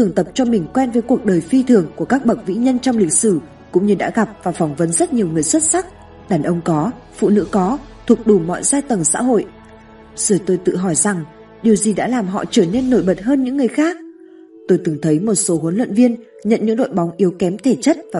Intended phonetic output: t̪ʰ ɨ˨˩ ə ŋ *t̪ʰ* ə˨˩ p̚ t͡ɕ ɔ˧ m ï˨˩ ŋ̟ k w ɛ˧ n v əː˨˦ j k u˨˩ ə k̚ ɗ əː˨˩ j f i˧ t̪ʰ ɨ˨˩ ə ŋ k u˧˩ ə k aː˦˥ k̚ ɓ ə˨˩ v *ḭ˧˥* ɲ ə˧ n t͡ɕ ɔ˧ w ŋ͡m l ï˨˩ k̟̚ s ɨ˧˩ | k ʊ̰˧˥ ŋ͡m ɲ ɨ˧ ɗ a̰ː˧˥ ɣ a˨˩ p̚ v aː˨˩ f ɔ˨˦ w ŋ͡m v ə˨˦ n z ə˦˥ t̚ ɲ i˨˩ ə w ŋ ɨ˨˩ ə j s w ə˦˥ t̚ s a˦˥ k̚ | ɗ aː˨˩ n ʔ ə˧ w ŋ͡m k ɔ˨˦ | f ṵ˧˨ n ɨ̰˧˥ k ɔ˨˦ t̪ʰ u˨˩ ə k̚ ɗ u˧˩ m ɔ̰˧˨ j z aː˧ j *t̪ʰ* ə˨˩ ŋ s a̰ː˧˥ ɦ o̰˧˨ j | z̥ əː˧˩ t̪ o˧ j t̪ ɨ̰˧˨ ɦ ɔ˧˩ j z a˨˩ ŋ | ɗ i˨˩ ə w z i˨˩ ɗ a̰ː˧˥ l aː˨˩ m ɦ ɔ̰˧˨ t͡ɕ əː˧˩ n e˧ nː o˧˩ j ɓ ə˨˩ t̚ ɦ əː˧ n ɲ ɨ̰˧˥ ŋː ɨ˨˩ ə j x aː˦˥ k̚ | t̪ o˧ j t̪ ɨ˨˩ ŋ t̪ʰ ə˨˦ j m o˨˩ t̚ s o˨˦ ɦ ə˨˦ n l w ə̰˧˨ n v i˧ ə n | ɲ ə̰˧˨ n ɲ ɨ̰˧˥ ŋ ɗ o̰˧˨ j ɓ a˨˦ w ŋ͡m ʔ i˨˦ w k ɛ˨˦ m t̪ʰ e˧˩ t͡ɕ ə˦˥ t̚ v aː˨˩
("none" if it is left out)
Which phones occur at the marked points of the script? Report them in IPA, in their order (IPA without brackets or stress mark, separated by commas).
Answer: t̪, ḭ˧˥, t̪